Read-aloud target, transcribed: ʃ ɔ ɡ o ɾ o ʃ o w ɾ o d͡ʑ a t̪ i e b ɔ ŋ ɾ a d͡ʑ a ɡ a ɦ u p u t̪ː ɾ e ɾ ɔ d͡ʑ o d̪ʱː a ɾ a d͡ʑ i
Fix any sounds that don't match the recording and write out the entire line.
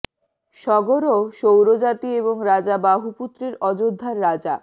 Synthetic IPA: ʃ ɔ ɡ o ɾ o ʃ o w ɾ o d͡ʑ a t̪ i e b o ŋ ɾ a d͡ʑ a b a ɦ u p u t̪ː ɾ e ɾ ɔ d͡ʑ o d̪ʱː a ɾː a d͡ʑ a